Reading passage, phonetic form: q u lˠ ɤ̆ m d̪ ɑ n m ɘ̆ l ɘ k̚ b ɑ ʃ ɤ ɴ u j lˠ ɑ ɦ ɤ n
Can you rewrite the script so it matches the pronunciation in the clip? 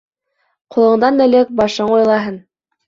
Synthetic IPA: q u lˠ ɤ̆ ɴ d̪ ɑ n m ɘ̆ l ɘ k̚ b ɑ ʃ ɤ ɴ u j lˠ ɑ ɦ ɤ n